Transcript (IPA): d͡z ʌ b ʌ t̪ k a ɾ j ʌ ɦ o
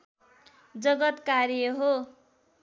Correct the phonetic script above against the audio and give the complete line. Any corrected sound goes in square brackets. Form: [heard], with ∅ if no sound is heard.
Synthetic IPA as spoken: d͡z ʌ [ɡ] ʌ t̪ k a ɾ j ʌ ɦ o

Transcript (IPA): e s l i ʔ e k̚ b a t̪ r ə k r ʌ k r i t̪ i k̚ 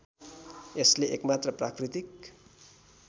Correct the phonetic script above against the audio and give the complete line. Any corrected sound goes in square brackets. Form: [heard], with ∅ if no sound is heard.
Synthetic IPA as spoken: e s l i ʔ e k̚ [m] a t̪ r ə [p] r [a] k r i t̪ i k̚

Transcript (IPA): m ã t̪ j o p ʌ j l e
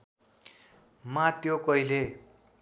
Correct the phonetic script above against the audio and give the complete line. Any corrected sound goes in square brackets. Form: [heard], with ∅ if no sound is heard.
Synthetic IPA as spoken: m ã t̪ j o [k] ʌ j l e

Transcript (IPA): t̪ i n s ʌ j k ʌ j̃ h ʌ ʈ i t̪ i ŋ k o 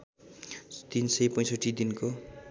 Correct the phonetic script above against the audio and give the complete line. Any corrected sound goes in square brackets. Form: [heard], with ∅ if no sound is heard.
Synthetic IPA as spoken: t̪ i n s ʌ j [p] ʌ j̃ [s] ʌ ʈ i [d̪] i [n] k o

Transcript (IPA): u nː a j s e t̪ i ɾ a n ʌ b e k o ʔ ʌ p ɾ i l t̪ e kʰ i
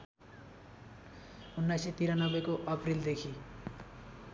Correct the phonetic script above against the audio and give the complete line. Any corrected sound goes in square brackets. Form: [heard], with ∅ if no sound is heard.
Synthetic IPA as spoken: u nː a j s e t̪ i ɾ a n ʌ b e k o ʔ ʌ p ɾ i l [d̪] e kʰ i

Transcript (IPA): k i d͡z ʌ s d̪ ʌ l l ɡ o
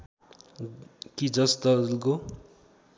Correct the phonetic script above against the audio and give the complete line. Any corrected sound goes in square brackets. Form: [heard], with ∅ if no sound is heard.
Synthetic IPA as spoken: k i d͡z ʌ s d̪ ʌ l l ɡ o

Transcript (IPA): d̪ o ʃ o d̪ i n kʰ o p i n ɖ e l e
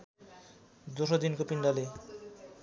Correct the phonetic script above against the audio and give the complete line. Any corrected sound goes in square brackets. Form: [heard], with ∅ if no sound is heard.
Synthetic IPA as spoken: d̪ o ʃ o d̪ i n [k] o p i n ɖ [a] l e

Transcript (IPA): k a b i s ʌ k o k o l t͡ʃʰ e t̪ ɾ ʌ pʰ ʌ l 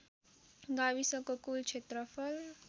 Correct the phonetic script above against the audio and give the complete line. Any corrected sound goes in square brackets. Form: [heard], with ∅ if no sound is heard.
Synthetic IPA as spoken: [ɡ] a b i s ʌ k o k [u] l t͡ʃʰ e t̪ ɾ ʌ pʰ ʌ l

